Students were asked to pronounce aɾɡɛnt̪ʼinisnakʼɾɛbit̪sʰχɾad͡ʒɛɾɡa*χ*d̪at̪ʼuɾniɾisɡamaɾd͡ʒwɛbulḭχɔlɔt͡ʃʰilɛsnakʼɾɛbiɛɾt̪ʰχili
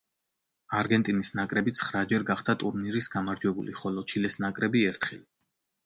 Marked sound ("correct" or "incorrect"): correct